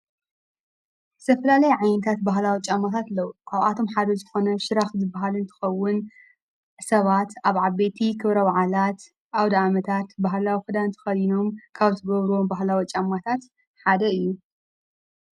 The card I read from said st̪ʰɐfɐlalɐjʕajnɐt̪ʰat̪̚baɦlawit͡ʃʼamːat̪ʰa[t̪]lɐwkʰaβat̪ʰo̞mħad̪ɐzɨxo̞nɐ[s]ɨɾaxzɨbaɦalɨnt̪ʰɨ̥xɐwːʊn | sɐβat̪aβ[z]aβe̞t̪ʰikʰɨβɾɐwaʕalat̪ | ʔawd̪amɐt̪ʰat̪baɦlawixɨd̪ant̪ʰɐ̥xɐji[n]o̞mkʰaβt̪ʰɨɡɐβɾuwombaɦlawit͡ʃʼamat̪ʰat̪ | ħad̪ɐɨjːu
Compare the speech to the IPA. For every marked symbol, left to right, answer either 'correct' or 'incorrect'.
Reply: correct, incorrect: ʃ, incorrect: ʕ, correct

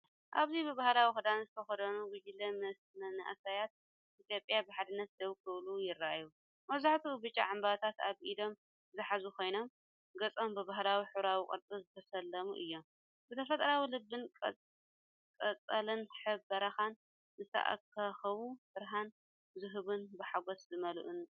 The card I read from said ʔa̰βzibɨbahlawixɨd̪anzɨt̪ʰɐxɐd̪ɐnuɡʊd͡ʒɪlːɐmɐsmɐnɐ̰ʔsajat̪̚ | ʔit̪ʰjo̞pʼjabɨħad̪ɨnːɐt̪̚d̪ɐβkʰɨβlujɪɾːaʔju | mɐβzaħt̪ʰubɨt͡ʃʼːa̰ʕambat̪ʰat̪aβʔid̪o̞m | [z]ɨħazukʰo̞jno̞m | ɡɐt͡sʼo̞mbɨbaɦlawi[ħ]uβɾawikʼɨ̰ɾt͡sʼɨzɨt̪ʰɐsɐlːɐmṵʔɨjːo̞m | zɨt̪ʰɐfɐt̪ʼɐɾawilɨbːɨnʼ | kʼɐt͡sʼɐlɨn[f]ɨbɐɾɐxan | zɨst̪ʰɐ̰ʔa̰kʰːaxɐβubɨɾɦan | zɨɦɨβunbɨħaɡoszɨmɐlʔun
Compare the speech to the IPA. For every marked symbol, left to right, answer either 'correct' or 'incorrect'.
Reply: correct, correct, incorrect: ħ

